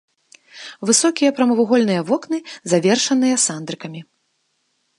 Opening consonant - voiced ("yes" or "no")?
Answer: yes